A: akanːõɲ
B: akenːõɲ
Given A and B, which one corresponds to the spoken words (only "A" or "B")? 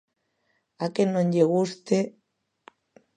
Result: B